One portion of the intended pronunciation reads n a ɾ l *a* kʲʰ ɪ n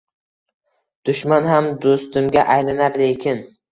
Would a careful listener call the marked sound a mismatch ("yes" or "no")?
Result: yes